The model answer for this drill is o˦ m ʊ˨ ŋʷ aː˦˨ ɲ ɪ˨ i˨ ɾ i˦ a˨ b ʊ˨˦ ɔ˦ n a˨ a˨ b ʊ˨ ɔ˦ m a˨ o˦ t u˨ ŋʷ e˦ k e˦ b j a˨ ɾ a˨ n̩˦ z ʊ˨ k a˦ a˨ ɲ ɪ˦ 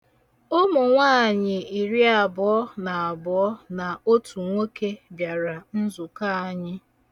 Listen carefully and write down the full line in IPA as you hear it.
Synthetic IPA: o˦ m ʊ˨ ŋʷ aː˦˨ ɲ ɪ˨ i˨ ɾ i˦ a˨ b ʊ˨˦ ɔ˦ n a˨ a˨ b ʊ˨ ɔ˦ n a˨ o˦ t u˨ ŋʷ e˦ k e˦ b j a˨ ɾ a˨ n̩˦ z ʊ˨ k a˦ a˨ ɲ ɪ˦